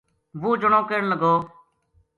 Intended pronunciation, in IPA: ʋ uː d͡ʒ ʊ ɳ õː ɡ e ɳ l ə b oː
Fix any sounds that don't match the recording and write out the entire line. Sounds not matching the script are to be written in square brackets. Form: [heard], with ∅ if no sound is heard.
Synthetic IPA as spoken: ʋ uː d͡ʒ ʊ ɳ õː [k] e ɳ l ə [ɡ] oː